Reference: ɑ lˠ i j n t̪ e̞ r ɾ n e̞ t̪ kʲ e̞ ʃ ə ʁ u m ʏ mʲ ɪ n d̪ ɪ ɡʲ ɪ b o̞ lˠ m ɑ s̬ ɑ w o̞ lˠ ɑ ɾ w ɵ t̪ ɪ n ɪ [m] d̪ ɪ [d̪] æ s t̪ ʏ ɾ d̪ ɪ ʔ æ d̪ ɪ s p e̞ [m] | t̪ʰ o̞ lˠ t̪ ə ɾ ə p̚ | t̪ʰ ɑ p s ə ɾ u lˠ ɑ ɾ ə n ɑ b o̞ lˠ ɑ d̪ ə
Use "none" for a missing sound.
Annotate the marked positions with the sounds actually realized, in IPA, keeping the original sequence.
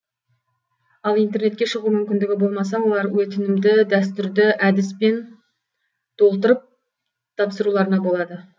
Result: m, d̪, n

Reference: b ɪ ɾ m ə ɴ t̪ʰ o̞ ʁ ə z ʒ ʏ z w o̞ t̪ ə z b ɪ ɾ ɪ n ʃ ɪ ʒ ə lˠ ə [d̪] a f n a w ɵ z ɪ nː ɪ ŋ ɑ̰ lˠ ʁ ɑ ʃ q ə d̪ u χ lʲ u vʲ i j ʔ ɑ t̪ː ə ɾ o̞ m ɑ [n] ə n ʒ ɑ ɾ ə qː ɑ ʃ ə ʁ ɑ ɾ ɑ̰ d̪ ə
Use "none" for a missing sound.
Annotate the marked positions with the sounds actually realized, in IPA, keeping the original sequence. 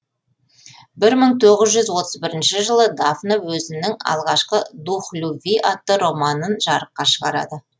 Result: d̪, n

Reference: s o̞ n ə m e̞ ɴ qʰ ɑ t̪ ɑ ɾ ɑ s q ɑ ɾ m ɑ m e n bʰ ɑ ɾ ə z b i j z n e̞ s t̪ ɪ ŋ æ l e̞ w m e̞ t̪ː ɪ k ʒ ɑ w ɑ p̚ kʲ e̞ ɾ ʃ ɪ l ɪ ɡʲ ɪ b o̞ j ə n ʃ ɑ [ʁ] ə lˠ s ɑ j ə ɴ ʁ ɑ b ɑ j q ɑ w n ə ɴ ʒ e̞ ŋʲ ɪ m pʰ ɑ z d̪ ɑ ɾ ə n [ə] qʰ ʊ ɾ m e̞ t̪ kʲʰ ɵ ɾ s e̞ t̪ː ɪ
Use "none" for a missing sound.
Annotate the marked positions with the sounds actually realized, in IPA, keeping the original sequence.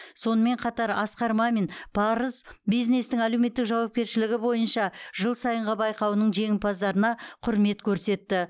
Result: ʒ, ɑ

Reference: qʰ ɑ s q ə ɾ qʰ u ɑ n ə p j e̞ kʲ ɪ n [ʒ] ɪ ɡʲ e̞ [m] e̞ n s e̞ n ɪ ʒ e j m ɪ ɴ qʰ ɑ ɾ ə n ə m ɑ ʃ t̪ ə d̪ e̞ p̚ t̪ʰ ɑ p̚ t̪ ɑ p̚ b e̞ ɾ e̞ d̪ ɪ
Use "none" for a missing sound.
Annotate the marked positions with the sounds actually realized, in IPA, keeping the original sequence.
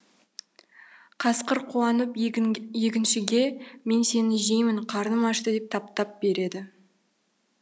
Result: ʃ, m

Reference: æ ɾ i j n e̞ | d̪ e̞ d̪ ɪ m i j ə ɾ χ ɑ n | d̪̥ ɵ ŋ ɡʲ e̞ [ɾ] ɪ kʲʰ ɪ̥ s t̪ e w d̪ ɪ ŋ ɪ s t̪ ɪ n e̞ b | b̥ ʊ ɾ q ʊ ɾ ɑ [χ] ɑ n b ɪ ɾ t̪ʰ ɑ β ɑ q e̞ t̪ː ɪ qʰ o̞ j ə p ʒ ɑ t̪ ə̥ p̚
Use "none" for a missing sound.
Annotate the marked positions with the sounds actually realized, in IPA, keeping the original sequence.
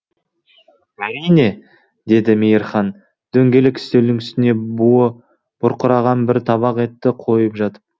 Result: l, ʁ

